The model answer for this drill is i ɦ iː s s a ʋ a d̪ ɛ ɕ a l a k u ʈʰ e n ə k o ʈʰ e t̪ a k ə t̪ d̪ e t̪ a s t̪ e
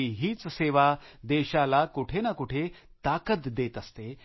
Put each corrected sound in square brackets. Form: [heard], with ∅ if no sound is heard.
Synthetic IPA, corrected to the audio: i ɦ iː [t͡s] s [e] ʋ a d̪ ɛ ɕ a l a k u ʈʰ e n [a] k [u] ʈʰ e t̪ a k ə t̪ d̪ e t̪ [ə] s t̪ e